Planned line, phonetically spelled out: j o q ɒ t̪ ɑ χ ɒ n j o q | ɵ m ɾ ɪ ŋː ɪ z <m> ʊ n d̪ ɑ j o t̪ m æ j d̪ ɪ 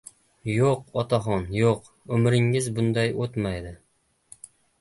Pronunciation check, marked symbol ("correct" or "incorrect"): incorrect